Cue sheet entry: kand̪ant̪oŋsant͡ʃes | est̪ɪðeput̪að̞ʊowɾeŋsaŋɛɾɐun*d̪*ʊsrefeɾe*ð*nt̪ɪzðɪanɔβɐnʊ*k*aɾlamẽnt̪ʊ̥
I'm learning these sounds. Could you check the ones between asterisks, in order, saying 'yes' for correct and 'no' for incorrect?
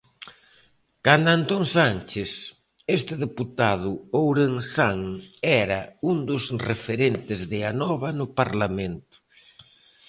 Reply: yes, no, no

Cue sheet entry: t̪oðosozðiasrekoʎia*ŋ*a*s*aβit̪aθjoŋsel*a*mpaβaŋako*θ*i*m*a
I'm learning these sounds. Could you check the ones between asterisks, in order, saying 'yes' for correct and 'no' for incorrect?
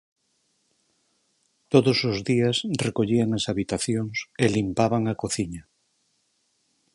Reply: yes, yes, no, yes, no

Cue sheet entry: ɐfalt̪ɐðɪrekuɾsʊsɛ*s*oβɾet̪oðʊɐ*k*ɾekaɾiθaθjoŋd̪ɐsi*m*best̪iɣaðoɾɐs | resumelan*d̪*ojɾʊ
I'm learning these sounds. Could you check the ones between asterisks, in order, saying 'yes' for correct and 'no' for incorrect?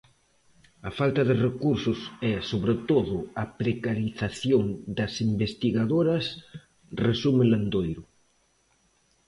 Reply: yes, no, yes, yes

